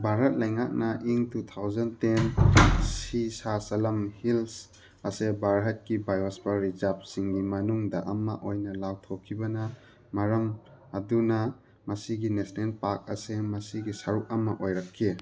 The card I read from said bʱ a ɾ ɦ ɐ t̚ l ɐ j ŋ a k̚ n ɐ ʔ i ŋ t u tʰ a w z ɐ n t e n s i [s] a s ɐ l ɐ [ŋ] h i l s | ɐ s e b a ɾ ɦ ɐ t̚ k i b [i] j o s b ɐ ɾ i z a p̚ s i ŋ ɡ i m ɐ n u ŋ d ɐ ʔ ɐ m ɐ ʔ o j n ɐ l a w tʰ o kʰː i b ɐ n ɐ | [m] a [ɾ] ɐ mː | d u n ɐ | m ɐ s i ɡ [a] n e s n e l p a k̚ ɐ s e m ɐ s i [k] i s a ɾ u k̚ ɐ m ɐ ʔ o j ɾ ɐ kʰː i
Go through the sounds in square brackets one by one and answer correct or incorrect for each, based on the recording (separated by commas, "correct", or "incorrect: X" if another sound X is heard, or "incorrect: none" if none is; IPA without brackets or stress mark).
correct, incorrect: m, incorrect: a, correct, correct, incorrect: i, incorrect: ɡ